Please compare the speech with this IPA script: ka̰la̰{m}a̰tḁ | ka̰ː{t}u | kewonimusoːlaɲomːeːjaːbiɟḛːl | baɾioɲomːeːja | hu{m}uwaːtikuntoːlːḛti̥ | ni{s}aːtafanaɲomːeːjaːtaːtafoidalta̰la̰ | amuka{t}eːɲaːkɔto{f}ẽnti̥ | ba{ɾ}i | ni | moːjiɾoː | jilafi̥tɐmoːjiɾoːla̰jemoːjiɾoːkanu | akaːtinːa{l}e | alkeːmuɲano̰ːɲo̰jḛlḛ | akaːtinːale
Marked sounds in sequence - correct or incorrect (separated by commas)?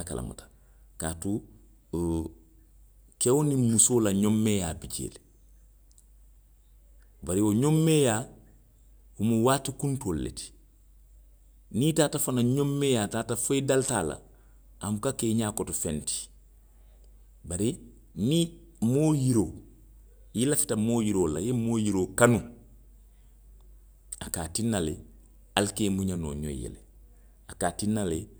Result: correct, correct, correct, incorrect, incorrect, correct, correct, correct